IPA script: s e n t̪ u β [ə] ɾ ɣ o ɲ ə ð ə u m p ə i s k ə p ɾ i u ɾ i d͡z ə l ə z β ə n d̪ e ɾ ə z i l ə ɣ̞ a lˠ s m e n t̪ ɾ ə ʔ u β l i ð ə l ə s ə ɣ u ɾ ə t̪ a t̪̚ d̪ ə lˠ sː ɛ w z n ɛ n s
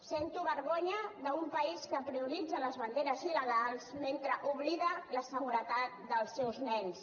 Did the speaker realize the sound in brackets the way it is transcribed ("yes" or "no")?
yes